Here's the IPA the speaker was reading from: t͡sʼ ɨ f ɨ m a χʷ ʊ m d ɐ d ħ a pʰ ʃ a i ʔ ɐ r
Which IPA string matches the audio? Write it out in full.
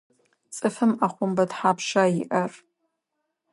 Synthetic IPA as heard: t͡sʼ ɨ f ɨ m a χʷ ʊ m b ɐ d ħ a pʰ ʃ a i ʔ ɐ r

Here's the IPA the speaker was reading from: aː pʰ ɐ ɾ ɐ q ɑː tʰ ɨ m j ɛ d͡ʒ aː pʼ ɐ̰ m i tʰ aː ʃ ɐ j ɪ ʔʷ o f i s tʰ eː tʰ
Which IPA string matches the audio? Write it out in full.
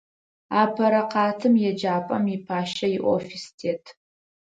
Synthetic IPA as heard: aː pʰ ɐ ɾ ɐ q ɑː tʰ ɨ m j ɛ d͡ʒ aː pʼ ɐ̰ m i pʰ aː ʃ ɐ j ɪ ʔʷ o f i s tʰ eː tʰ

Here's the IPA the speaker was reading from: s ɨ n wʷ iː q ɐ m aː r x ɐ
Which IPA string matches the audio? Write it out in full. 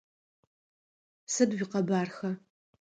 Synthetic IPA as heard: s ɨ d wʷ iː q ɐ b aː r x ɐ

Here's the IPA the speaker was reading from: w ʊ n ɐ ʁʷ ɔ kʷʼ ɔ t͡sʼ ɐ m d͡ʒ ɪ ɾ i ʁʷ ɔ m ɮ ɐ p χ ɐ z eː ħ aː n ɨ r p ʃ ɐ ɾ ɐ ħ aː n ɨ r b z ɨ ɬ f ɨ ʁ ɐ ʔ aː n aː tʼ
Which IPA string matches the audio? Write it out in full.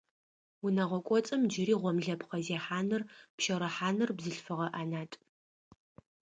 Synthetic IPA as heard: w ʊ n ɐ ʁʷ ɔ kʷʼ ɔ t͡sʼ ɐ m d͡ʒ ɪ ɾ iː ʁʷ ɔ m ɮ ɐ p χ ɐ z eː ħ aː n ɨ r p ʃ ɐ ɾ ɐ ħ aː n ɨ r b z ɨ ɬ f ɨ ʁ ɐ ʔ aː n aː tʼ

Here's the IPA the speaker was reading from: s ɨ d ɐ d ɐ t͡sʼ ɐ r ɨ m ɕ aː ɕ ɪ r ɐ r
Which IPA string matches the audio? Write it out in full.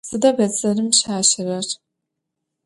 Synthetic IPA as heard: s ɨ d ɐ b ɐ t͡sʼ ɐ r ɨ m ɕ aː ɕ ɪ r ɐ r

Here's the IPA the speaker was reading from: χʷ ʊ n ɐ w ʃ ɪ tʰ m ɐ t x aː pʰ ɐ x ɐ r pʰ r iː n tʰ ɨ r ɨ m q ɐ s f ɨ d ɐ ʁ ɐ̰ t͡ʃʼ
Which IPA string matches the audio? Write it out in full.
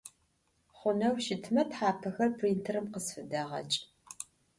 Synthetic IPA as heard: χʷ ʊ n ɐ w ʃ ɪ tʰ m ɐ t ħ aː pʰ ɐ x ɐ r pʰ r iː n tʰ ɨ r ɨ m q ə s f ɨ d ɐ ʁ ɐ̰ t͡ʃʼ

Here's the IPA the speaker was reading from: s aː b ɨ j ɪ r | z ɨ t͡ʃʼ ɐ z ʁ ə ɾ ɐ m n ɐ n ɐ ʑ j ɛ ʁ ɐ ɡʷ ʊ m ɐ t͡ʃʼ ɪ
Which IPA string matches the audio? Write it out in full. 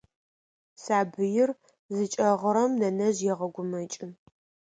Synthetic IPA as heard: s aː b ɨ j ɪ r | z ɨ t͡ʃʼ ɐ ʁ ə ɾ ɐ m n ɐ n ɐ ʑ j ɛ ʁ ɐ ɡʷ ʊ m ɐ t͡ʃʼ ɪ

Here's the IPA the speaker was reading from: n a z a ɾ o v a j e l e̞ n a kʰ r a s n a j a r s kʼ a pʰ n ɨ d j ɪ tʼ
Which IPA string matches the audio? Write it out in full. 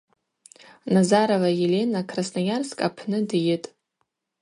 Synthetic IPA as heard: n a z a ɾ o v a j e l e̞ n a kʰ r a s n a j a r s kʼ a pʰ n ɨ d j ɪ tʼ

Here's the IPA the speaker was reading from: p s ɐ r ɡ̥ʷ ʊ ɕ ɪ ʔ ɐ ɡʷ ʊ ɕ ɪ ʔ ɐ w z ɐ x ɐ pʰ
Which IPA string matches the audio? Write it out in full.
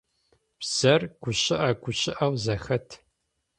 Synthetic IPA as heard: p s ɐ r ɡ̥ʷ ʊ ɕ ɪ ʔ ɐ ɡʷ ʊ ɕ ɪ ʔ ɐ w z ɐ x ɐ tʰ

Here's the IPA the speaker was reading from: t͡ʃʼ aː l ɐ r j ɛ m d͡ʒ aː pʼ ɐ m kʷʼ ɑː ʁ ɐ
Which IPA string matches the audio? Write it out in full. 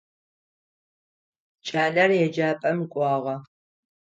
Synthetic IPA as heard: t͡ʃʼ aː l ɐ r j ɛ d͡ʒ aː pʼ ɐ m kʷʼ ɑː ʁ ɐ

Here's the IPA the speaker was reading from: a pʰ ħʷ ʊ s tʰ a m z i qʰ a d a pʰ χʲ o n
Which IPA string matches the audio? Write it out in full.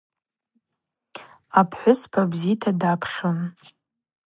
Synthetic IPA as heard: a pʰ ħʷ ʊ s pʰ a b z i tʰ a d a pʰ χʲ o n

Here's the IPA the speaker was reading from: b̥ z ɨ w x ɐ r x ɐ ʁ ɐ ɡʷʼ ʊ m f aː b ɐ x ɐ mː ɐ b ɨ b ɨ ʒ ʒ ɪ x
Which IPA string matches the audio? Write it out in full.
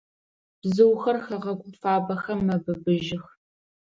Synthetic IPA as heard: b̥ z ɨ w x ɐ r x ɐ ʁ ɐ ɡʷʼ ʊ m f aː b ɐ x ɐ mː ɐ b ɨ b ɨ ʒ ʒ ɪ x

